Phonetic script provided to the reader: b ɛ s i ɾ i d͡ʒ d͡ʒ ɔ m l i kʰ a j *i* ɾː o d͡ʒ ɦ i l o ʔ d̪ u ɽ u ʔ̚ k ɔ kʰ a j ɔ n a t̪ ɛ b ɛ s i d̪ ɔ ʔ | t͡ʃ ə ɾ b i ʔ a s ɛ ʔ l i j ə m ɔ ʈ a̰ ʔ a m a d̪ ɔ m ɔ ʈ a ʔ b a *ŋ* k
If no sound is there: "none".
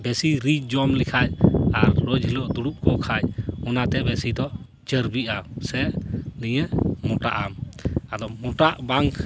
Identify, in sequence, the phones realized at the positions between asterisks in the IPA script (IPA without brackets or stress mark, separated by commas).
a, ŋ